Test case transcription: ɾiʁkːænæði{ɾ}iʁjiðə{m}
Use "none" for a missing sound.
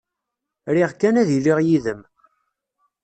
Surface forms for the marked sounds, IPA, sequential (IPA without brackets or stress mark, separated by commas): l, m